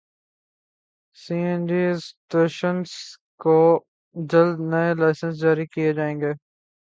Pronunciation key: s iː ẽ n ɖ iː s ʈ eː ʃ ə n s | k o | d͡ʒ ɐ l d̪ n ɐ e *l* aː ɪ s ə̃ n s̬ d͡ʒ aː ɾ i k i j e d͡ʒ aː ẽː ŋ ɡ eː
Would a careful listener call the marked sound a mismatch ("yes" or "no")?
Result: no